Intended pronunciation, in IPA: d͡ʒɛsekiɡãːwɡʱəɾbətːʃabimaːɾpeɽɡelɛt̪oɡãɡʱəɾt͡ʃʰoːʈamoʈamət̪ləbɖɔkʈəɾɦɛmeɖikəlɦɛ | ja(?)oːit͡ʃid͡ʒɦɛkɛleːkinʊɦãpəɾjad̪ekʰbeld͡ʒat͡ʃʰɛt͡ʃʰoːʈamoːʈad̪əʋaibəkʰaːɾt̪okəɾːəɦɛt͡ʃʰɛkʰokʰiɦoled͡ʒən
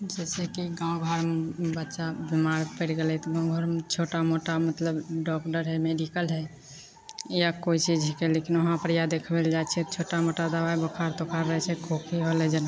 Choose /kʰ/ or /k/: k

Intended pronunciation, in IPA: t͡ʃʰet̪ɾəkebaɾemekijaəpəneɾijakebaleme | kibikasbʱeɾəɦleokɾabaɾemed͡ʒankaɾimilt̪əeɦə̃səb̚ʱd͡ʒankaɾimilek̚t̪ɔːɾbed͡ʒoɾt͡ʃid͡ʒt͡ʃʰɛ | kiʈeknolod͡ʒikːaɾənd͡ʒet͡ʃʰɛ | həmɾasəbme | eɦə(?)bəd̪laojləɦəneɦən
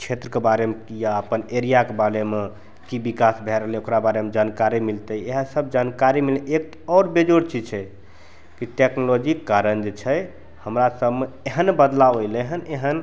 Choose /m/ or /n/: n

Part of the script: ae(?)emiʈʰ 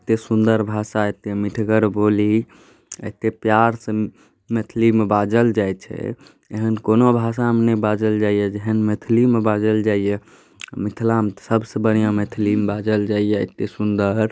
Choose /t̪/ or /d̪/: t̪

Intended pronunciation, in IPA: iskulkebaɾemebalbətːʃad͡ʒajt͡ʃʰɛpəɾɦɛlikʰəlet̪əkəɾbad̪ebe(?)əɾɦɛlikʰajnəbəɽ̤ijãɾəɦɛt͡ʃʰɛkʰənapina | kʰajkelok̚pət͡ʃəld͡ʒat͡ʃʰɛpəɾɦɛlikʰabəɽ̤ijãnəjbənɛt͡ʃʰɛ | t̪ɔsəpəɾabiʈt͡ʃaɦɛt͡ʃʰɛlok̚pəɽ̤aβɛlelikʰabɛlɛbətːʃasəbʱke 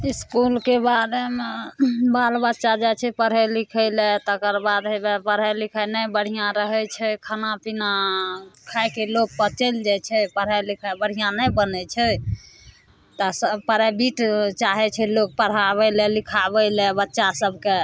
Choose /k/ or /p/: p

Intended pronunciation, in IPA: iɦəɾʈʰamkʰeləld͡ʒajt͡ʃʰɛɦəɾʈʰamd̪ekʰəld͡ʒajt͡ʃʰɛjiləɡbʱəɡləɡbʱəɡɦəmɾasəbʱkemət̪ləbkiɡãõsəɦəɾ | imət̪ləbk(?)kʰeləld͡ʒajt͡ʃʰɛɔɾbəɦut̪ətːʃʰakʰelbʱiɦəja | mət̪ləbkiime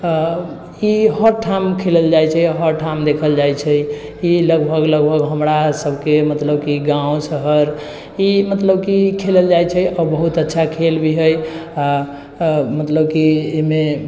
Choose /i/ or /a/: i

